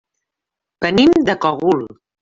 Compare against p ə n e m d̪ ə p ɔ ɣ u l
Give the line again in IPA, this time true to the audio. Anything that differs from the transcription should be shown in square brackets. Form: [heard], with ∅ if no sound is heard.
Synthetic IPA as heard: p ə n [i] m d̪ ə [k] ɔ ɣ u l